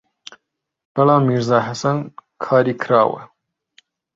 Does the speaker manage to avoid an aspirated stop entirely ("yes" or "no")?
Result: no